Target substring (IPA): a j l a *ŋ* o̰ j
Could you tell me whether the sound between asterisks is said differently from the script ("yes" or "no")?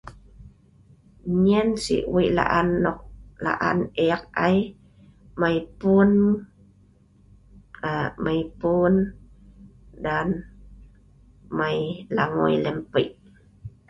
no